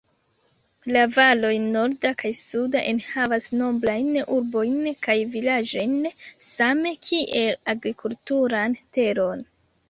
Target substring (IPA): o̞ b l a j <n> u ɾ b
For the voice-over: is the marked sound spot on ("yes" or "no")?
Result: yes